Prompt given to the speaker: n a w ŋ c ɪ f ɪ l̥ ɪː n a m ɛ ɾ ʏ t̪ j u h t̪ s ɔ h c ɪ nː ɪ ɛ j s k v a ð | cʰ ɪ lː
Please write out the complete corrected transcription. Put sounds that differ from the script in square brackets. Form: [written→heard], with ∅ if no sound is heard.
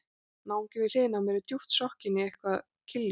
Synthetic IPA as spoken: n a w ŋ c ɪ [f→v] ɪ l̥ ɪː n a m ɛ ɾ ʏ t̪ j u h t̪ s ɔ h c ɪ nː ɪ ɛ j [s→h] k v a ð | cʰ ɪ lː